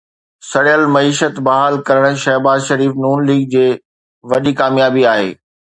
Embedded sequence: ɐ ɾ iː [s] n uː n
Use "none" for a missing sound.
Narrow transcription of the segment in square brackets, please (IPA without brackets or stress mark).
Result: f